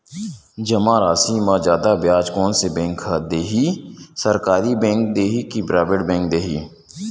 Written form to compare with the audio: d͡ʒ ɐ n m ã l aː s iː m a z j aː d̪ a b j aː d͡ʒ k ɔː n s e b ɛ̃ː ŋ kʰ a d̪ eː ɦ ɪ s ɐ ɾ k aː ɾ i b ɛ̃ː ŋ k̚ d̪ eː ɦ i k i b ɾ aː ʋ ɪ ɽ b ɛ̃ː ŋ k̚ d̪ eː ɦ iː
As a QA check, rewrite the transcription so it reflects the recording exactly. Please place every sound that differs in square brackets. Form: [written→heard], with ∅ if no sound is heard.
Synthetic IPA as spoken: d͡ʒ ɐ [n→∅] m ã [l→ɾ] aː s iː m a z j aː d̪ a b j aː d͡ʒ k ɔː n s e b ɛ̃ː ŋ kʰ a d̪ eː ɦ [ɪ→i] s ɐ ɾ k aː ɾ i b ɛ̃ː ŋ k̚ d̪ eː ɦ i k i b ɾ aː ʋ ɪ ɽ b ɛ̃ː ŋ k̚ d̪ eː ɦ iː